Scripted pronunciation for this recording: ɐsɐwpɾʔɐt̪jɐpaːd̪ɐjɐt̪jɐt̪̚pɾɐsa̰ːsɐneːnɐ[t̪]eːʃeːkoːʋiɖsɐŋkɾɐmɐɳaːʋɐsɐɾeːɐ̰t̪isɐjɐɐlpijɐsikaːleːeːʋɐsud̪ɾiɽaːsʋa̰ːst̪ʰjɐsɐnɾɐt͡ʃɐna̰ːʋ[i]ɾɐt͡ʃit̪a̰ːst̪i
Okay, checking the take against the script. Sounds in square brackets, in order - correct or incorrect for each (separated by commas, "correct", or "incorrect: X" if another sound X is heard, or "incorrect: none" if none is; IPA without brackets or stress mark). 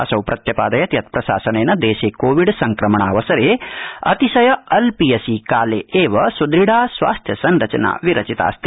incorrect: d̪, correct